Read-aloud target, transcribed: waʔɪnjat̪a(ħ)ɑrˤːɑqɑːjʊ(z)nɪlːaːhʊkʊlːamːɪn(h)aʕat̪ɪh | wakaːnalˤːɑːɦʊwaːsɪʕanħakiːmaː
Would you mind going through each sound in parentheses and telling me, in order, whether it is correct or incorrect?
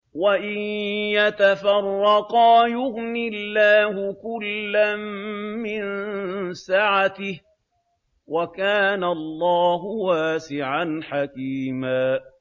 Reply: incorrect: f, incorrect: ɣ, incorrect: s

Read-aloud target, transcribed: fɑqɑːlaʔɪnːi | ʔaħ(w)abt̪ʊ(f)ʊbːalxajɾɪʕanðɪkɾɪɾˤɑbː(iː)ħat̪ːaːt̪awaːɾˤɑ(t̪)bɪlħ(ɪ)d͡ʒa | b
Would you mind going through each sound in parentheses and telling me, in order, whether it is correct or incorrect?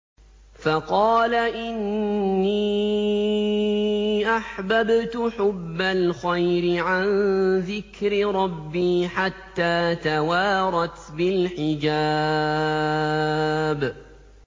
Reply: incorrect: b, incorrect: ħ, correct, correct, correct

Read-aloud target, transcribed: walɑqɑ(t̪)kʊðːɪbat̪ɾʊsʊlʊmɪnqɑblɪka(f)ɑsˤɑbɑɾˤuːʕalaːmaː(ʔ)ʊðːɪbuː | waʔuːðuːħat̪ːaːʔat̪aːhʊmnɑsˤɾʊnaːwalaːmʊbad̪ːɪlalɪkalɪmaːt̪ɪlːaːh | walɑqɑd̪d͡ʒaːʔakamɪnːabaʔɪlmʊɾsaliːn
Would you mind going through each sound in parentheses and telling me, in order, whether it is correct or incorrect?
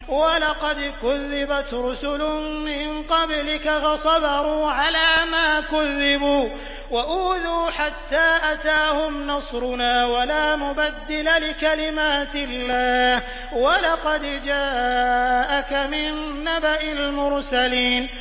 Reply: incorrect: d̪, correct, incorrect: k

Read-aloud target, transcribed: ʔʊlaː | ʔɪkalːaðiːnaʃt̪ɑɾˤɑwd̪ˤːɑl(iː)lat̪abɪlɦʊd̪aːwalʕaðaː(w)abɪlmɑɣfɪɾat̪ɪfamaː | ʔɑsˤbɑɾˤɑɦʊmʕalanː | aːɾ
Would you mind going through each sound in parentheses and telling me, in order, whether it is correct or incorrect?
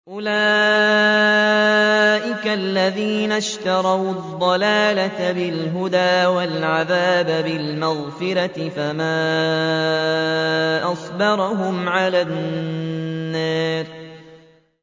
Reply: incorrect: aː, incorrect: b

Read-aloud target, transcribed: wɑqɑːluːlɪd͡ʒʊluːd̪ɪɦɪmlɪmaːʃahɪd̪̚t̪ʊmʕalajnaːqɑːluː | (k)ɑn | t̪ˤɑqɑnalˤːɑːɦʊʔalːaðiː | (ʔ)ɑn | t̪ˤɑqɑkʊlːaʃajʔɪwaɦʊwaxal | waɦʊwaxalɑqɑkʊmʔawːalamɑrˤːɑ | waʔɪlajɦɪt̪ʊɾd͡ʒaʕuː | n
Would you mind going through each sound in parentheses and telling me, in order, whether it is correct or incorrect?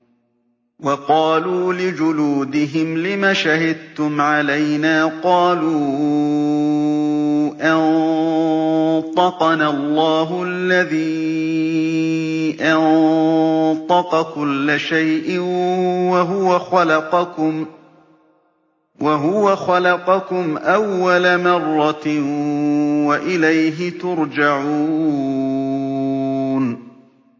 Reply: incorrect: ʔ, correct

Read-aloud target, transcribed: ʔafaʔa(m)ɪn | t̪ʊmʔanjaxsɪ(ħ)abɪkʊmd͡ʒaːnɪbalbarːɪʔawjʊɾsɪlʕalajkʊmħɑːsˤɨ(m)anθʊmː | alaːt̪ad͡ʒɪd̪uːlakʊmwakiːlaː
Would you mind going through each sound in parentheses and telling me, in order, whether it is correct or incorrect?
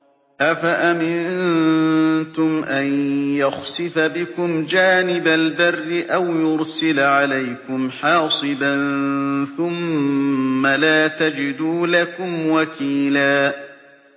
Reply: correct, incorrect: f, incorrect: b

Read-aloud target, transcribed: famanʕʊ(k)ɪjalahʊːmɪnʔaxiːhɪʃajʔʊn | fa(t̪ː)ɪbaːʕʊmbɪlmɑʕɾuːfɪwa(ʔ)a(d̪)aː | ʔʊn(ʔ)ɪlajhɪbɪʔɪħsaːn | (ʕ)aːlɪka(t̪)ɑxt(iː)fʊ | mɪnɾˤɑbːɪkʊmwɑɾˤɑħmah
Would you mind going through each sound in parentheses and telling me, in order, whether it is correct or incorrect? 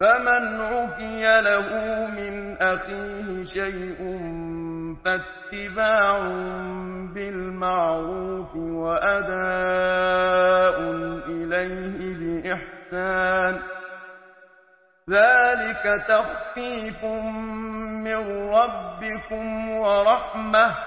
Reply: correct, correct, correct, correct, correct, incorrect: ð, correct, correct

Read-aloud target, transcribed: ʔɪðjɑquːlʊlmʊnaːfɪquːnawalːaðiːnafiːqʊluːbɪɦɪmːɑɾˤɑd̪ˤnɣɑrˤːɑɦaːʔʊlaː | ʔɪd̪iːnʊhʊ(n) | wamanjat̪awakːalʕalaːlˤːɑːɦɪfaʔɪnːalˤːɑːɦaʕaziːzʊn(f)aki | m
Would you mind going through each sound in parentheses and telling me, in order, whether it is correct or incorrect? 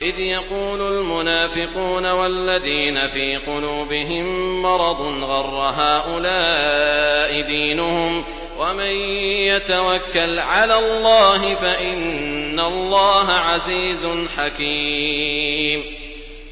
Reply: incorrect: m, incorrect: ħ

